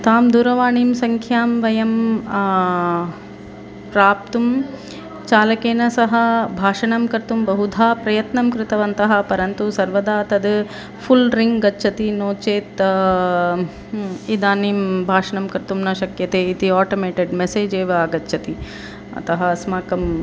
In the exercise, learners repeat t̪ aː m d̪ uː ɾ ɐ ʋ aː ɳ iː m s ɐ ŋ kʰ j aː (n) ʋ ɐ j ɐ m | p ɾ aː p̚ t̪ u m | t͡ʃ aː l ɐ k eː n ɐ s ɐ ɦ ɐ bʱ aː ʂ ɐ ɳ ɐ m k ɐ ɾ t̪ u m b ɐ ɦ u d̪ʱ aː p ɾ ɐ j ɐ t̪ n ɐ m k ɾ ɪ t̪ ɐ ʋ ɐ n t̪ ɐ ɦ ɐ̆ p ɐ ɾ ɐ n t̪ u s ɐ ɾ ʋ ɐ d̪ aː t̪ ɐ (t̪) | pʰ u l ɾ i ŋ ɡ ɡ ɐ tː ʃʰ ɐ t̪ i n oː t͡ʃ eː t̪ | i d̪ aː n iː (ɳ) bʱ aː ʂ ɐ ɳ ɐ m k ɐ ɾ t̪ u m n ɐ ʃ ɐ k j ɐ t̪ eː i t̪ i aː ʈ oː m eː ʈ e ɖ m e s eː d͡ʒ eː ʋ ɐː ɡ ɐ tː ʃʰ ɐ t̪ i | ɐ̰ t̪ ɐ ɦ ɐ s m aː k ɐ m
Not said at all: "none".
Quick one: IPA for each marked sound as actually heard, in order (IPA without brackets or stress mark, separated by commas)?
m, d̪, m